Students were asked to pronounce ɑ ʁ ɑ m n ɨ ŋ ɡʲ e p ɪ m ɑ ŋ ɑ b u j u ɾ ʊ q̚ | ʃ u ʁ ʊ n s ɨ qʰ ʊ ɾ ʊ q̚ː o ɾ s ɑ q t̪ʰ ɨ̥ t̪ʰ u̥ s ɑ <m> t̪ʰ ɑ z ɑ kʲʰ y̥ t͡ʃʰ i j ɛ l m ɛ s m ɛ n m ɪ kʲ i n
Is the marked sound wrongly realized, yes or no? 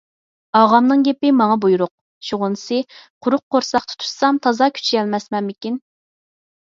no